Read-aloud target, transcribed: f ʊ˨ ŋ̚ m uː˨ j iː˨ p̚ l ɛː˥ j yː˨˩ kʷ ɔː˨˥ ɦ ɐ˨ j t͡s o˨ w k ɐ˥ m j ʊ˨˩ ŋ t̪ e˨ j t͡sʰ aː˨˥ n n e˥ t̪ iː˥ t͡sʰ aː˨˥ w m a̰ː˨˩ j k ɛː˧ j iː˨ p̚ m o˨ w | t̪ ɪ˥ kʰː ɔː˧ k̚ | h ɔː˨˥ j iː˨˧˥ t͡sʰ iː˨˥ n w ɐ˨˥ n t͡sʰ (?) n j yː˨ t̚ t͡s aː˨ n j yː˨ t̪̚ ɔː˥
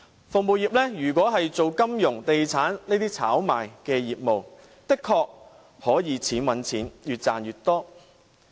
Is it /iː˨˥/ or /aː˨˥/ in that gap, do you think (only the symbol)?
iː˨˥